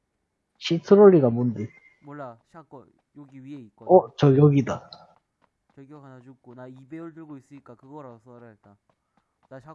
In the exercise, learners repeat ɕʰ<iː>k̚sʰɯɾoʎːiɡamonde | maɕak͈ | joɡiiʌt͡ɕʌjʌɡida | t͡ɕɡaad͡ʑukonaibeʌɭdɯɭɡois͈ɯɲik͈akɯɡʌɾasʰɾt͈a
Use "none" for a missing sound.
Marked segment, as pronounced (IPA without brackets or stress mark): i